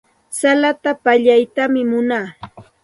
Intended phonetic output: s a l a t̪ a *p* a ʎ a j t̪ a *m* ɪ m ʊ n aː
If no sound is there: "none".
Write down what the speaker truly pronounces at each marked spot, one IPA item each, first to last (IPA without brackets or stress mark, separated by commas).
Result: p, m